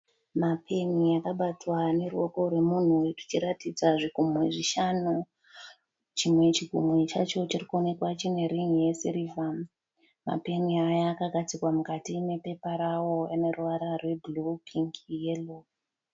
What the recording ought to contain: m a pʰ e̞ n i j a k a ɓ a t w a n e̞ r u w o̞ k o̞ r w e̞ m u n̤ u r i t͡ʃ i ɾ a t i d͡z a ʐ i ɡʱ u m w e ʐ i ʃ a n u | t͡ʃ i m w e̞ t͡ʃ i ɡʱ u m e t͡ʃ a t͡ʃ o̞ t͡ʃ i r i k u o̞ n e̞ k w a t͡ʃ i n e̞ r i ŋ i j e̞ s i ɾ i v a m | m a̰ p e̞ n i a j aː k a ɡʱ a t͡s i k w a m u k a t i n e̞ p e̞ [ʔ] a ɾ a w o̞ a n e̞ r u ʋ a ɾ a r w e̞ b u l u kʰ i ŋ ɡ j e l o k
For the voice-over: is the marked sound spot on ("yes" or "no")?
no